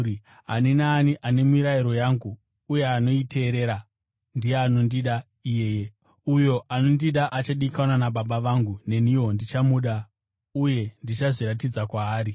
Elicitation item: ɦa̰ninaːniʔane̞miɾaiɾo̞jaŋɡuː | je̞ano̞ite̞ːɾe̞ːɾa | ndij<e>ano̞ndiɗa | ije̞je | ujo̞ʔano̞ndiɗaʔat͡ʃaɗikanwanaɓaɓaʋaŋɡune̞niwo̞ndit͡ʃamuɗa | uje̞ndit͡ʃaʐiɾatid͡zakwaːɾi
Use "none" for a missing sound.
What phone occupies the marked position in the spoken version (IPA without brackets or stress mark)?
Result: e